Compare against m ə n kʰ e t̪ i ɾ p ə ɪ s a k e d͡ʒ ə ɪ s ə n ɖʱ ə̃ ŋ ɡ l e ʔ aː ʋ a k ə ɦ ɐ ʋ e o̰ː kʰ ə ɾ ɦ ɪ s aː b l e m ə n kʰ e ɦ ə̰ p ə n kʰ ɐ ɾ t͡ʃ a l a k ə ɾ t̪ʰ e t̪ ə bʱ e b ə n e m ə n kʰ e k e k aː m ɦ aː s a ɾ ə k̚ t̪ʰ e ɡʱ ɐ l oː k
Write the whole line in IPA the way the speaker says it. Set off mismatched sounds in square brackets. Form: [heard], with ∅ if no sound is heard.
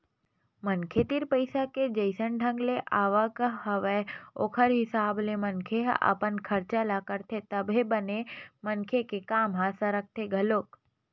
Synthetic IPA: m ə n kʰ e t̪ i ɾ p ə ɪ s a k e d͡ʒ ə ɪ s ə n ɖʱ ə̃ ŋ ɡ l e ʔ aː ʋ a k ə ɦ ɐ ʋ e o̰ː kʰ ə ɾ ɦ ɪ s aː b l e m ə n kʰ e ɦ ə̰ p ə n kʰ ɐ ɾ t͡ʃ a l a k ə ɾ t̪ʰ e t̪ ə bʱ e b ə n e m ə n kʰ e k e k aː m ɦ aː s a ɾ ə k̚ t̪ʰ e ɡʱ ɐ l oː k